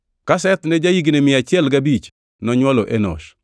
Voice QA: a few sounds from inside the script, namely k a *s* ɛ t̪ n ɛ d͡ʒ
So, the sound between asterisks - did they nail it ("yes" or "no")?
yes